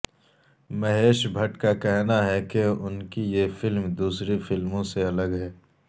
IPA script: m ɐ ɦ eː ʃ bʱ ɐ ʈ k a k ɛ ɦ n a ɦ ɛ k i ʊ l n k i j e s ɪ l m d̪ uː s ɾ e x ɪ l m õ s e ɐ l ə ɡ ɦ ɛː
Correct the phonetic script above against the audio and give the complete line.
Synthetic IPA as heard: m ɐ ɦ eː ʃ bʱ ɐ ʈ k a k ɛ ɦ n a ɦ ɛ k e ʊ n k i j e f ɪ l m d̪ uː s ɾ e f ɪ l m õ s e ɐ l ə ɡ ɦ ɛː